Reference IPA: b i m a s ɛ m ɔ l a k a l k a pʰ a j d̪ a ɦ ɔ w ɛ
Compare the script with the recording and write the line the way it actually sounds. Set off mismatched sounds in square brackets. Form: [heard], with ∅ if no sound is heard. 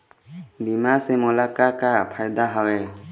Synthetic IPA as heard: b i m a s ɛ m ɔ l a k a [∅] k a pʰ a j d̪ a ɦ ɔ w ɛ